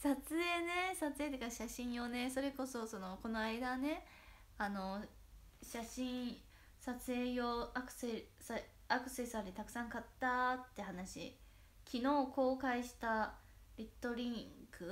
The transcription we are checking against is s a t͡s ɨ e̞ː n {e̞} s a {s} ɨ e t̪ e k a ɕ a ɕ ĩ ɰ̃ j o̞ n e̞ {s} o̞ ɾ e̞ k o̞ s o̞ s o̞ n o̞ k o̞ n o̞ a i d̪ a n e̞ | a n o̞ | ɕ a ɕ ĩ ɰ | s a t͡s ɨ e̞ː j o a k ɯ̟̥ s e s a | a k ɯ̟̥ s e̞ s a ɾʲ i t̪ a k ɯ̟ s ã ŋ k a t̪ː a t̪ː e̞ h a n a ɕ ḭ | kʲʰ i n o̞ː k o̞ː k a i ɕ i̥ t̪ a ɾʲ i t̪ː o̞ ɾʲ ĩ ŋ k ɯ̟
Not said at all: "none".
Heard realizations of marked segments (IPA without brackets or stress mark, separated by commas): e̞, t͡s, s